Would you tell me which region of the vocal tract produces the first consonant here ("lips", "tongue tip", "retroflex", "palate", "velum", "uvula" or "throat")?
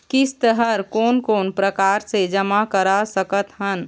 velum